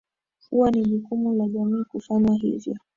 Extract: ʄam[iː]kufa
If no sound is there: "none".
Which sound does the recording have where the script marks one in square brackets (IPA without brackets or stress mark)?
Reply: iː